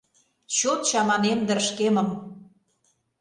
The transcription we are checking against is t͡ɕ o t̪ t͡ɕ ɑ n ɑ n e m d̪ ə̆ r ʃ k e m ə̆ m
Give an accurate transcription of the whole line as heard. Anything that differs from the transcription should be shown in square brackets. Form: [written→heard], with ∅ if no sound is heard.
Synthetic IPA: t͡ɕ o t̪ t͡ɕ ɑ [n→m] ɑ n e m d̪ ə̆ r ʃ k e m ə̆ m